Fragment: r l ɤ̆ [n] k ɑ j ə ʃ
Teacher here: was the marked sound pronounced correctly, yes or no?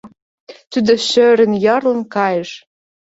yes